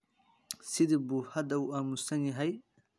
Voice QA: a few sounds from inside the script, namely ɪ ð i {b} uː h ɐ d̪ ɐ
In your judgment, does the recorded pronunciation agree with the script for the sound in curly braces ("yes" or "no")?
yes